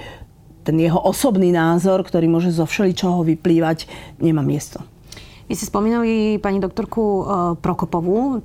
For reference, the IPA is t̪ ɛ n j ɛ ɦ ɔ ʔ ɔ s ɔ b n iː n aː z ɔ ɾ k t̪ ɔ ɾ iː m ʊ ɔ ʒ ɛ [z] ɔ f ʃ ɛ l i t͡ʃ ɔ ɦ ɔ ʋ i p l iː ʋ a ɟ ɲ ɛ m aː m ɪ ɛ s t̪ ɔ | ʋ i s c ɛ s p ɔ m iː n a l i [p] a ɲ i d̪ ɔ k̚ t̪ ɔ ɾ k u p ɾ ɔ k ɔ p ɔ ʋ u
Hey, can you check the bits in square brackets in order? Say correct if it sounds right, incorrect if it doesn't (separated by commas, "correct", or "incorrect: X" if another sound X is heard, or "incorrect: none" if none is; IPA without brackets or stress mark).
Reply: correct, correct